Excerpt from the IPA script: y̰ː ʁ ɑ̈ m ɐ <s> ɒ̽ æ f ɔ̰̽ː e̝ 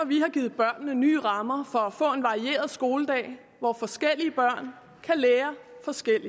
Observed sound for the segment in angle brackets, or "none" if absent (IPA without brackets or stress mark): f